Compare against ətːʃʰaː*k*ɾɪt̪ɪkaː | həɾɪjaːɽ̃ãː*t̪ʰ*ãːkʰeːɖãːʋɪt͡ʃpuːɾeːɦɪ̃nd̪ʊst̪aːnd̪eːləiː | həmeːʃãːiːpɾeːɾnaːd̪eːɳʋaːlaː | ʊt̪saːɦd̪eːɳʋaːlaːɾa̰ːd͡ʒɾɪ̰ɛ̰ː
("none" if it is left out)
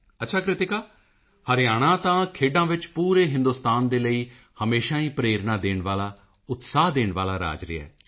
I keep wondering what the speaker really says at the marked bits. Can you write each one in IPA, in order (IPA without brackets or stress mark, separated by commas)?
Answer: k, t̪